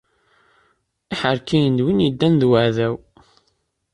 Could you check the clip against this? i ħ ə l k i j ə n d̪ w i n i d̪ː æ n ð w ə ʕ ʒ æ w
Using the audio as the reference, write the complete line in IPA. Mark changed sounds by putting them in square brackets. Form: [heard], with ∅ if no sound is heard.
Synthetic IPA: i ħ ə [ɾ] k i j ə n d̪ w i n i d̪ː æ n ð w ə ʕ [ð] æ w